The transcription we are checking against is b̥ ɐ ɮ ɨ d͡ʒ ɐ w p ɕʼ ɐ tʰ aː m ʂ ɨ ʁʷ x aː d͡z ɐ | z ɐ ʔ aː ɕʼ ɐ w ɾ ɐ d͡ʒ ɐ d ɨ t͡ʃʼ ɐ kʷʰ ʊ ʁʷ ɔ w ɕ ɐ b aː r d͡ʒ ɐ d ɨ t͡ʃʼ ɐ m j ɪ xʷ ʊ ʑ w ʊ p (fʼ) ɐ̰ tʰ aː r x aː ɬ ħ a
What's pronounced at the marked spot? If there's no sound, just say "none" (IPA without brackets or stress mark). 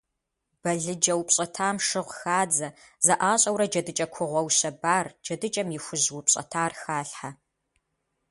ɕʼ